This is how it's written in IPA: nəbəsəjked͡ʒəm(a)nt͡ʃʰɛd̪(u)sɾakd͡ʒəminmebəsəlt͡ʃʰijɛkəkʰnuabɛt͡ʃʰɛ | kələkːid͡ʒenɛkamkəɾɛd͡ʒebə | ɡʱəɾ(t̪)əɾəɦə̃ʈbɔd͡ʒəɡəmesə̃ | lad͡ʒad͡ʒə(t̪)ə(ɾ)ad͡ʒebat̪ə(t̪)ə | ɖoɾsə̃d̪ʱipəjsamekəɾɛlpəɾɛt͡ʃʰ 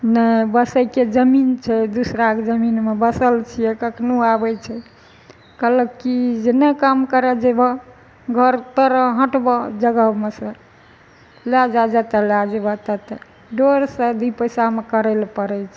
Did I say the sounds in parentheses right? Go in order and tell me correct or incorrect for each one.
incorrect: i, correct, correct, correct, incorrect: l, correct

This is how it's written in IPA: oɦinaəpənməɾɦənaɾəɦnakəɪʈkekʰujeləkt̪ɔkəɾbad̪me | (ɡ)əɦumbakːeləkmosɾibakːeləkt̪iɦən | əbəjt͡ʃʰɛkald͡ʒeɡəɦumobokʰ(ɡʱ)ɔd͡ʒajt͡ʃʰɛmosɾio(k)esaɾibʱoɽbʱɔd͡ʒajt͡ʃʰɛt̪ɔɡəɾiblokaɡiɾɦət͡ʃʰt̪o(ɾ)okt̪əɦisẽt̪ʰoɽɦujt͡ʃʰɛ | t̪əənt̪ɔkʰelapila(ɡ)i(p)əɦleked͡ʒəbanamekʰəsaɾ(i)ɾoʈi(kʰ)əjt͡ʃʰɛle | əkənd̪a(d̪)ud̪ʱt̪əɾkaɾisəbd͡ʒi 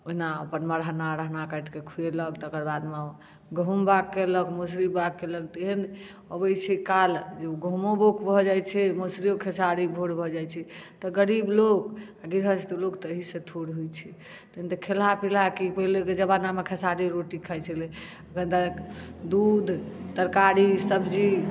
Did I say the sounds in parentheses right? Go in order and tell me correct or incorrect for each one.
correct, incorrect: bʱ, incorrect: kʰ, incorrect: l, incorrect: k, correct, correct, correct, correct

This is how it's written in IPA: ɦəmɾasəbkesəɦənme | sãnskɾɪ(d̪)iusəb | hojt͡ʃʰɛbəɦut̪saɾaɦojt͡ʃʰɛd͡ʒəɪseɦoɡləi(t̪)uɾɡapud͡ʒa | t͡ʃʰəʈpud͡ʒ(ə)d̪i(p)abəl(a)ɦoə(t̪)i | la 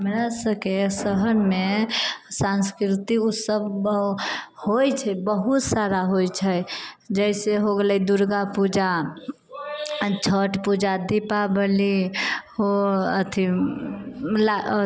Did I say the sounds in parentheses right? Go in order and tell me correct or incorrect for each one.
incorrect: t̪, incorrect: d̪, incorrect: a, correct, incorrect: i, incorrect: t̪ʰ

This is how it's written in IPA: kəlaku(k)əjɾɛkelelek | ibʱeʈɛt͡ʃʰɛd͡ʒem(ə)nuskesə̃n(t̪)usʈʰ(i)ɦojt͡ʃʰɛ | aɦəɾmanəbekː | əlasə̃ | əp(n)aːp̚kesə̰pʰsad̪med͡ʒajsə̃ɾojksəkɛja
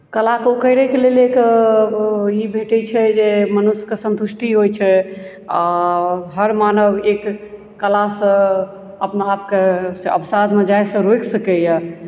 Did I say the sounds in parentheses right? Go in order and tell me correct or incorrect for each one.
correct, correct, correct, correct, correct

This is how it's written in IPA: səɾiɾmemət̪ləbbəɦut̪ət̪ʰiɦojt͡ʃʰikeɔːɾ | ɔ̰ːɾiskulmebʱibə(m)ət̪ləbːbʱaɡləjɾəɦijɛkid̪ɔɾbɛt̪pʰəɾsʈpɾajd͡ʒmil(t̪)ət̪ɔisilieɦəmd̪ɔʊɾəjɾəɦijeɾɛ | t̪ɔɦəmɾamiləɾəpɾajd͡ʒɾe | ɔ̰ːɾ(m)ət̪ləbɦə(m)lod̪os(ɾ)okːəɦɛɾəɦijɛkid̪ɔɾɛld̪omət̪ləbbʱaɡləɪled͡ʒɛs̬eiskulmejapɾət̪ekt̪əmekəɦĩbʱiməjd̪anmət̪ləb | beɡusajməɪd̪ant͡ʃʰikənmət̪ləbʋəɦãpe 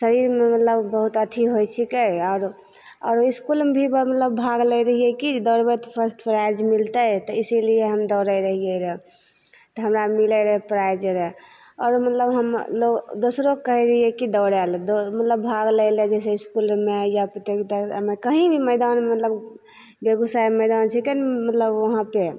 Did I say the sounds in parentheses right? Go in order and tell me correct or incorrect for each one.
correct, correct, correct, correct, correct

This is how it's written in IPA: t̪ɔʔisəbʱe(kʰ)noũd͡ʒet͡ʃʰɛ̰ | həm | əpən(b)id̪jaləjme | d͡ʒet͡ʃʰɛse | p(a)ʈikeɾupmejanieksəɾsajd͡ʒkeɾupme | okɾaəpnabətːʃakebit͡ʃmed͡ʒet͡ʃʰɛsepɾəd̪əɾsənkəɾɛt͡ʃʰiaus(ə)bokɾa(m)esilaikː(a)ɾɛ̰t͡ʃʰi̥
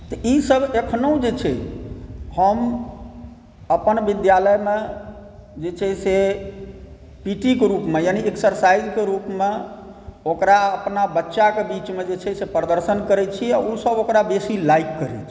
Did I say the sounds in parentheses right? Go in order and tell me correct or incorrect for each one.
correct, correct, incorrect: i, correct, incorrect: b, incorrect: ə

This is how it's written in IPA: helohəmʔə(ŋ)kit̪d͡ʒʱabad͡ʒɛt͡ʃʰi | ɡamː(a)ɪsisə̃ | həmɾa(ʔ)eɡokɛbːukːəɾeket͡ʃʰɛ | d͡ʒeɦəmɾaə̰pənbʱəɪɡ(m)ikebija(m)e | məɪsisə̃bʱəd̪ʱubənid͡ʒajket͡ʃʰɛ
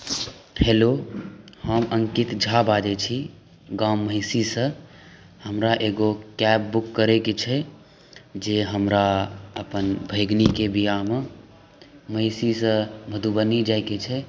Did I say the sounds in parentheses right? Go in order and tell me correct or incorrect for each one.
correct, incorrect: ə, correct, incorrect: n, correct

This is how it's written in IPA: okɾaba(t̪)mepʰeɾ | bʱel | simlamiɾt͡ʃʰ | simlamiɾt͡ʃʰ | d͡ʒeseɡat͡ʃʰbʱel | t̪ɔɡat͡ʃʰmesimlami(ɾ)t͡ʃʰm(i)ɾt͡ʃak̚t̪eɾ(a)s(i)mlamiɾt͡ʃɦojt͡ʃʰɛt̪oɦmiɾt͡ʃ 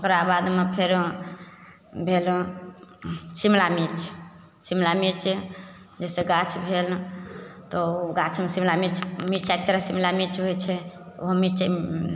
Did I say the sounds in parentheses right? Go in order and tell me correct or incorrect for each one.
incorrect: d̪, correct, correct, correct, correct

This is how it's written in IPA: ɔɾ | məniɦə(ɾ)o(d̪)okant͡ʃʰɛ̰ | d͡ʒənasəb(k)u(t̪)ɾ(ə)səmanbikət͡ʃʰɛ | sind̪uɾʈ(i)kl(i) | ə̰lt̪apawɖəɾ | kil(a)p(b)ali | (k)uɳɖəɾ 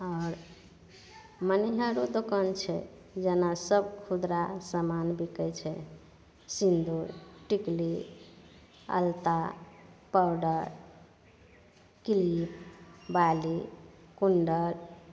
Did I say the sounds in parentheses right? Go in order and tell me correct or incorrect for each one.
correct, correct, incorrect: kʰ, incorrect: d̪, incorrect: a, correct, correct, incorrect: i, correct, correct

